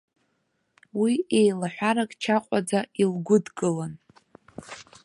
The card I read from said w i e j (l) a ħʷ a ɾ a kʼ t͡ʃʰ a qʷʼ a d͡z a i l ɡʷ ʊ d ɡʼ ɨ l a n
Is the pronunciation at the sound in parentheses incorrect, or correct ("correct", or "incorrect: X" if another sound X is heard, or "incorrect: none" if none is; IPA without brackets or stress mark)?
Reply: correct